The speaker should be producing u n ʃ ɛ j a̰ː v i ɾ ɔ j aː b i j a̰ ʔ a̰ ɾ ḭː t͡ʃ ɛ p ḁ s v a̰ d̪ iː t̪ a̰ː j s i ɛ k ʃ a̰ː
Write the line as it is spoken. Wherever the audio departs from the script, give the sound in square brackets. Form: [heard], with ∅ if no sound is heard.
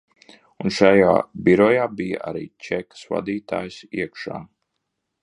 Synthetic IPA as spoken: u n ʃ [a] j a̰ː [b] i ɾ ɔ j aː b i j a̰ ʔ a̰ ɾ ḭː t͡ʃ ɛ [k] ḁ s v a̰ d̪ iː t̪ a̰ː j s i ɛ k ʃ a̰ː